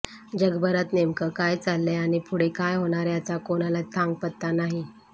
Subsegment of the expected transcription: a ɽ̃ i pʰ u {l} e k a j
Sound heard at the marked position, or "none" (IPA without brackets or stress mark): ɽ